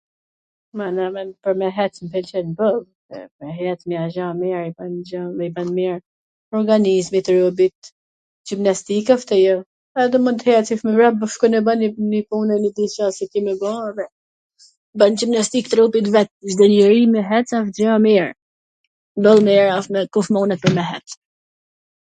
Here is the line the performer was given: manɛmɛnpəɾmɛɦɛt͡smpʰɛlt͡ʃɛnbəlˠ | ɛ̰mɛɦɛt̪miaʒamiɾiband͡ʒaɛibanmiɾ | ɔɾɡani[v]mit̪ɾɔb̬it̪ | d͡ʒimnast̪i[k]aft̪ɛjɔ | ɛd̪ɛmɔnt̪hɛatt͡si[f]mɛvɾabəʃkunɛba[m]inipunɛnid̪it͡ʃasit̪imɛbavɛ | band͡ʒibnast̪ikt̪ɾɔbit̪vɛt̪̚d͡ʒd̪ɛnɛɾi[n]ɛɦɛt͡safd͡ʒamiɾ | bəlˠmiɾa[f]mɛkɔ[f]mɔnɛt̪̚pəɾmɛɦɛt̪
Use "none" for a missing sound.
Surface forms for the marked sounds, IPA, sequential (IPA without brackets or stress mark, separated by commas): z, k, f, n, m, f, f